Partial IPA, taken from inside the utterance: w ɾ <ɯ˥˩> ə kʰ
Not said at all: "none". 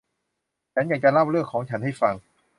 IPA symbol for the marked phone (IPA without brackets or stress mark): ɯ˥˩